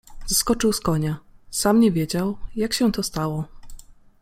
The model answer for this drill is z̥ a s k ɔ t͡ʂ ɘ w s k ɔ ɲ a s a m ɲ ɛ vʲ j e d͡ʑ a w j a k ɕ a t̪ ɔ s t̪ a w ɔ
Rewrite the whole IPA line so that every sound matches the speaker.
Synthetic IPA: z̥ a s k ɔ t͡ʂ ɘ w s k ɔ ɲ a s a m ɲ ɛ vʲ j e d͡ʑ a w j a k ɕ ɛ t̪ ɔ s t̪ a w ɔ

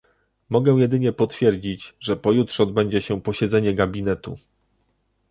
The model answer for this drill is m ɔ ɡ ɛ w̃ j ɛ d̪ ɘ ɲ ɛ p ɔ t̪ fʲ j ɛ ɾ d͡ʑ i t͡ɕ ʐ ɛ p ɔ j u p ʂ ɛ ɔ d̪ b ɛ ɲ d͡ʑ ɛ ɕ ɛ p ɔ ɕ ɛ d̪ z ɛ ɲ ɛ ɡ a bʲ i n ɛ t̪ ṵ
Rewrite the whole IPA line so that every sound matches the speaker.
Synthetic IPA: m ɔ ɡ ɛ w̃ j ɛ d̪ ɘ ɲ ɛ p ɔ t̪ fʲ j ɛ ɾ d͡ʑ i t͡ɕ ʐ ɛ p ɔ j u t ʂ ɛ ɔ d̪ b ɛ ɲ d͡ʑ ɛ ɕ ɛ p ɔ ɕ ɛ d̪ z ɛ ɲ ɛ ɡ a bʲ i n ɛ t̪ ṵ

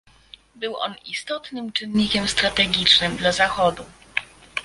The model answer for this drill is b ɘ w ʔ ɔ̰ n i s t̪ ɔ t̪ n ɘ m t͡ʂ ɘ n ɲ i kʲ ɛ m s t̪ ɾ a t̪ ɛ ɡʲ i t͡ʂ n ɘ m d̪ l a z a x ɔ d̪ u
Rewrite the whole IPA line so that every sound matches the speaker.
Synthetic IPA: b ɘ w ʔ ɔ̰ n i s t̪ ɔ t̪ n ɘ m t͡ʂ ɘ n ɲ i kʲ ɛ m s t̪ ɾ a t̪ ɛ ɡʲ i t͡ʂ n ɘ m d̪ l a z a x ɔ d̪ u

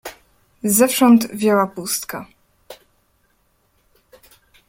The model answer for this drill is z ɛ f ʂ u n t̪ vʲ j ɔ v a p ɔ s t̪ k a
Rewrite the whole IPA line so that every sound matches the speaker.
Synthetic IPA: z ɛ f ʂ ɔ n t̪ vʲ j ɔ w a p u s t̪ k a

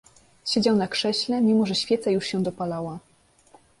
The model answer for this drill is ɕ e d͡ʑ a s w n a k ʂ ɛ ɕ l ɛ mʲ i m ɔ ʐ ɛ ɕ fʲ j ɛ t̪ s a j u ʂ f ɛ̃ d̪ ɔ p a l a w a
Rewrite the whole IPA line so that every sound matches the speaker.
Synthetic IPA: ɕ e d͡ʑ a w n a k ʂ ɛ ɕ l ɛ mʲ i m ɔ ʐ ɛ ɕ fʲ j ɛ t̪ s a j u ʂ ɕ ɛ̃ d̪ ɔ p a l a w a

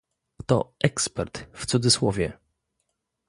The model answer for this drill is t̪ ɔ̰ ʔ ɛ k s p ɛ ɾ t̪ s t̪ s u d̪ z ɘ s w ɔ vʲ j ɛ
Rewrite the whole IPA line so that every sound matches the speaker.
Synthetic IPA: t̪ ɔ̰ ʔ ɛ k s p ɛ ɾ t̪ f t̪ s u d̪ z ɘ s w ɔ vʲ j ɛ

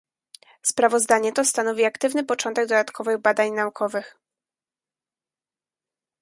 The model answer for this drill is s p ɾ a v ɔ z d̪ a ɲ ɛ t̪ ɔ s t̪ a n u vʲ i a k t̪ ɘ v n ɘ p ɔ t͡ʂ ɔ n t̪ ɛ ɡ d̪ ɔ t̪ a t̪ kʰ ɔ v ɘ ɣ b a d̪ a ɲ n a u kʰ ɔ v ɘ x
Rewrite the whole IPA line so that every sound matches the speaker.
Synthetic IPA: s p ɾ a v ɔ z d̪ a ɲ ɛ t̪ ɔ s t̪ a n ɔ vʲ i a k t̪ ɘ v n ɘ p ɔ t͡ʂ ɔ n t̪ ɛ ɡ d̪ ɔ d̪ a t̪ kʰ ɔ v ɘ ɣ b a d̪ a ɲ n a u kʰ ɔ v ɘ x

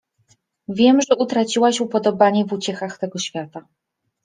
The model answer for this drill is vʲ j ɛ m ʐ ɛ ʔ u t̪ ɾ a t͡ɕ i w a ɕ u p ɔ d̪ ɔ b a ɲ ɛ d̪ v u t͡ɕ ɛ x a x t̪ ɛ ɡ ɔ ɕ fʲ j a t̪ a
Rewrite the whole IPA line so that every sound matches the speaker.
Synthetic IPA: vʲ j ɛ m ʐ ɛ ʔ u t̪ ɾ a t͡ɕ i w a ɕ u p ɔ d̪ ɔ b a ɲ ɛ v u t͡ɕ ɛ x a x t̪ ɛ ɡ ɔ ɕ fʲ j a t̪ a

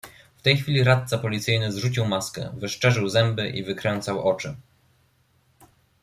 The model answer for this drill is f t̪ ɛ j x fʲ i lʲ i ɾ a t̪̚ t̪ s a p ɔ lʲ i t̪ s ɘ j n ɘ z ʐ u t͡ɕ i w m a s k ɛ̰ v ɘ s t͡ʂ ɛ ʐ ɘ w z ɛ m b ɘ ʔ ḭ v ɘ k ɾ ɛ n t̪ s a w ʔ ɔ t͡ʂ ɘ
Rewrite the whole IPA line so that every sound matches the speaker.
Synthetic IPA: f t̪ ɛ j x fʲ i lʲ i ɾ a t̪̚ t̪ s a p ɔ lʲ i t̪ s ɘ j n ɘ z ʐ u t͡ɕ i w m a s k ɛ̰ v ɘ ʂ t͡ʂ ɛ ʐ ɘ w z ɛ m b ɘ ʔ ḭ v ɘ k ɾ ɛ n t̪ s a w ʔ ɔ t͡ʂ ɘ

